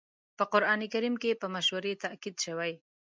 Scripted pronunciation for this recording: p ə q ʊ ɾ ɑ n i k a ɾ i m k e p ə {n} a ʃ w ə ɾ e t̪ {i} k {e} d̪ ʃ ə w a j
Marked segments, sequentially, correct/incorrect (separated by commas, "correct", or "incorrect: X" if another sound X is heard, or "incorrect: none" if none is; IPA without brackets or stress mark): incorrect: m, incorrect: a, incorrect: i